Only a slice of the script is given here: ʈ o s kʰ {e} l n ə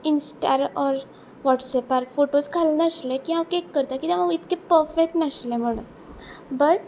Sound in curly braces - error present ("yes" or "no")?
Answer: yes